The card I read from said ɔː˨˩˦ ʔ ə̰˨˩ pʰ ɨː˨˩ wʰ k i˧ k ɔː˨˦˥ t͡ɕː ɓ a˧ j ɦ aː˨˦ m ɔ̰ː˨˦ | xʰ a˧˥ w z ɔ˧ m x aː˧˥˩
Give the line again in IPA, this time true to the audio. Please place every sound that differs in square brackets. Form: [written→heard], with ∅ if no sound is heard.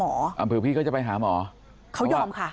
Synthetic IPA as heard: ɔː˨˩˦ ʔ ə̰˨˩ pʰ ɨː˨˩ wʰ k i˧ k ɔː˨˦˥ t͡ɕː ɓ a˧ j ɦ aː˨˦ m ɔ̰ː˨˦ | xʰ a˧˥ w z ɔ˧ m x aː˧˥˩